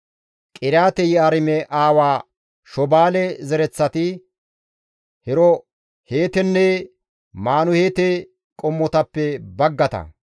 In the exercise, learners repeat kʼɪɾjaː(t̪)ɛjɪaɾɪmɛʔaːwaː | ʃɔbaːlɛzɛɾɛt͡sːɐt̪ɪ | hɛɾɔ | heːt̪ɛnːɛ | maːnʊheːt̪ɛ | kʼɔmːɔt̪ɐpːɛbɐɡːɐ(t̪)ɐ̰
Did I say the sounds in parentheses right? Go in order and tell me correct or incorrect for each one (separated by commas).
correct, correct